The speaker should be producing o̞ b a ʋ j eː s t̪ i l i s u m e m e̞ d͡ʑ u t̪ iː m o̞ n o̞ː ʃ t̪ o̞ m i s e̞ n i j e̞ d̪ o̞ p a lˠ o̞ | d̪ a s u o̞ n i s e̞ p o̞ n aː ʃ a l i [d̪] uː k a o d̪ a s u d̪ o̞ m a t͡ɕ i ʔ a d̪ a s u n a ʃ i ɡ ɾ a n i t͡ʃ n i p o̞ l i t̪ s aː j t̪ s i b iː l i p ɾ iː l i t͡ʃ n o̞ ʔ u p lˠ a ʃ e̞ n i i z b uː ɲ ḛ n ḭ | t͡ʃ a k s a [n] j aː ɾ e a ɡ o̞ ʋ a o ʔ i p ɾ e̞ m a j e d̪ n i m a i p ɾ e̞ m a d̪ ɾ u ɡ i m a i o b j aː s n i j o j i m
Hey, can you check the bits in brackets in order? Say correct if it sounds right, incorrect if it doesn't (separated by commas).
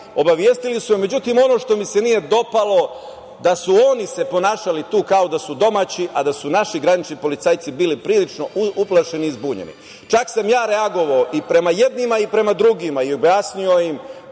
incorrect, incorrect